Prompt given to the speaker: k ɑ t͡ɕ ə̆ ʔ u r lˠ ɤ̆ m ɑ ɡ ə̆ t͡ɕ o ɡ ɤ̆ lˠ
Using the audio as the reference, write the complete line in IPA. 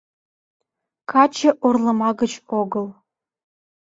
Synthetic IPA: k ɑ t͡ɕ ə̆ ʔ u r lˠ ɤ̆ m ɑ ɡ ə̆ t͡ɕ o ɡ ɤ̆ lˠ